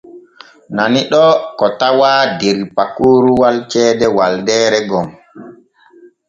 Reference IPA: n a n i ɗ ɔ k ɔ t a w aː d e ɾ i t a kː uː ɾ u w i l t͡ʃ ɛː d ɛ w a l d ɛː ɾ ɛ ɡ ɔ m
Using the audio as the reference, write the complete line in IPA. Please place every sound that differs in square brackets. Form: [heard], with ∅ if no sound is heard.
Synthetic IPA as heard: n a n i ɗ ɔ k ɔ t a w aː d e ɾ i [p] a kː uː ɾ u w [a] l t͡ʃ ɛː d ɛ w a l d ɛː ɾ ɛ ɡ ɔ m